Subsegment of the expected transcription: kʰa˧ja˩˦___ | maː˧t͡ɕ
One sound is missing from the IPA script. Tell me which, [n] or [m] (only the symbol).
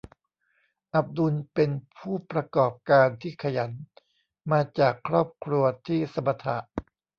n